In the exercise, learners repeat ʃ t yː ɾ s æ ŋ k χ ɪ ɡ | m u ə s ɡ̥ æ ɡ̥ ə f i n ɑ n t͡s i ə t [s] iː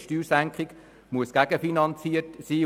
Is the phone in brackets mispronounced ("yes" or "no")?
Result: no